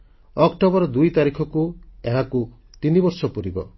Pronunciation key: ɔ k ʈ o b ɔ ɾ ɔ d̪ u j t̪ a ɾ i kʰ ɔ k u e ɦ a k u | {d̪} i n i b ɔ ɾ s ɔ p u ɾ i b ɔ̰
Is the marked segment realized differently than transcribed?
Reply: yes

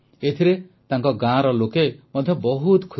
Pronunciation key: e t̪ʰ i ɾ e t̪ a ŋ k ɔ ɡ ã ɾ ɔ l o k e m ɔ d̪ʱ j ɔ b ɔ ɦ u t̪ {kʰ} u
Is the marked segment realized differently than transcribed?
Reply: no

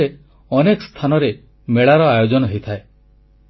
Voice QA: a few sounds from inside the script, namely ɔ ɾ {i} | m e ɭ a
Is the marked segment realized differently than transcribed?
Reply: yes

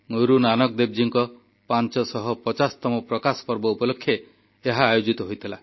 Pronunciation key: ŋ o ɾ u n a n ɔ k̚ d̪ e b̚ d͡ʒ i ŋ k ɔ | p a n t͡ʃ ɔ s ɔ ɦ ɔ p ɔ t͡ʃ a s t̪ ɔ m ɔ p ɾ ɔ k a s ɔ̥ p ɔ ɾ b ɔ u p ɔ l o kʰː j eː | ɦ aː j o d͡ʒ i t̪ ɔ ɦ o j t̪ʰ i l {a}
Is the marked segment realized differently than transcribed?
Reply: no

